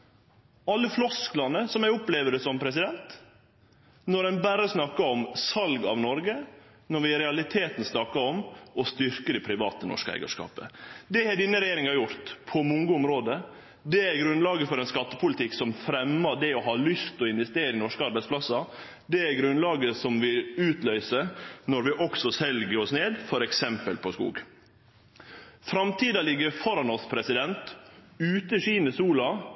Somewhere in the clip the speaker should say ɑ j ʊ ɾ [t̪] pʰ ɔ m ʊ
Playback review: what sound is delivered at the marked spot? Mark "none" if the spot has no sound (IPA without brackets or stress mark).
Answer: t̪